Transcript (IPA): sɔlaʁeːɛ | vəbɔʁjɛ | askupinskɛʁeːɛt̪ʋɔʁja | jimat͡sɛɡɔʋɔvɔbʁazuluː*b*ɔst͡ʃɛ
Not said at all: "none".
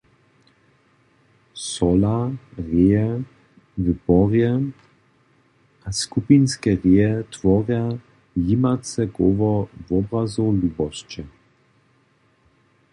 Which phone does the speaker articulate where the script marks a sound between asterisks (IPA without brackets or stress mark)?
b